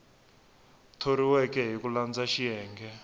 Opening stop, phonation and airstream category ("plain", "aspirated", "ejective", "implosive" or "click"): aspirated